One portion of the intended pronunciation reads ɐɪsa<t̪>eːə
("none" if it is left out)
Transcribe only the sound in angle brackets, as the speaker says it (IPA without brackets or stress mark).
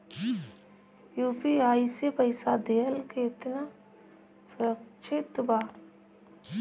d̪